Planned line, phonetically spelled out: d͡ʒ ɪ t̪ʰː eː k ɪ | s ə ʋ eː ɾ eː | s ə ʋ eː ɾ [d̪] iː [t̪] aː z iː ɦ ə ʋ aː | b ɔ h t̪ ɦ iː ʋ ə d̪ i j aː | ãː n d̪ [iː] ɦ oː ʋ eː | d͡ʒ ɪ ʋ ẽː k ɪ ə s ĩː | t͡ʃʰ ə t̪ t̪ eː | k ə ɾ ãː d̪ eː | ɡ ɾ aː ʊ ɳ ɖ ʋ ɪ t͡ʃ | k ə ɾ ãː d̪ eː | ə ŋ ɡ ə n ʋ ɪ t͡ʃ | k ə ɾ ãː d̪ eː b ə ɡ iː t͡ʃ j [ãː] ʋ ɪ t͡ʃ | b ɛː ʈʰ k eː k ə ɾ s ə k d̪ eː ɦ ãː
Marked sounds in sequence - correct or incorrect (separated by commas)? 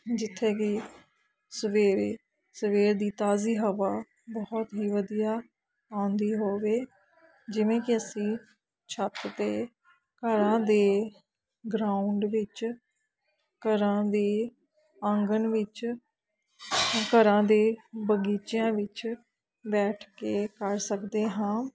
correct, correct, correct, correct